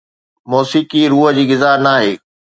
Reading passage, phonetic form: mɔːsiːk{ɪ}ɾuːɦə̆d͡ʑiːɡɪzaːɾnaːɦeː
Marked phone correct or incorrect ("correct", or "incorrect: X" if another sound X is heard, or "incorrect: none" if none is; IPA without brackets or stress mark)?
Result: incorrect: i